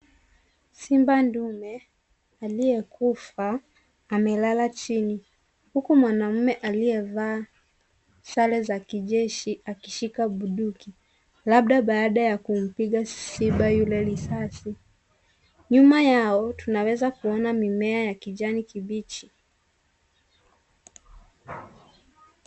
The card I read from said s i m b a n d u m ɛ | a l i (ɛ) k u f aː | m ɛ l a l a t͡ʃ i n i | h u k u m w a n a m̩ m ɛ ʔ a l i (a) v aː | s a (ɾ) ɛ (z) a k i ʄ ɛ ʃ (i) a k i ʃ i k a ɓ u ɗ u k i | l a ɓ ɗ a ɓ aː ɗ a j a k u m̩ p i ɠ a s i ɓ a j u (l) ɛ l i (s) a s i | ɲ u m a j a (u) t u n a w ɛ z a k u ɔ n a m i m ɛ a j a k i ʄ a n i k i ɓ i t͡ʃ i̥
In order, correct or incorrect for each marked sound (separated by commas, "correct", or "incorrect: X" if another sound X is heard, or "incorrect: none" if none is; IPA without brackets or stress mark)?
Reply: correct, incorrect: ɛ, incorrect: l, correct, correct, correct, correct, incorrect: ɔ